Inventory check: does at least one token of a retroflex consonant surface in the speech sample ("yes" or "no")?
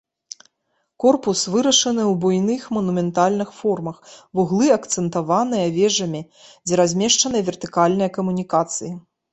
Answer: yes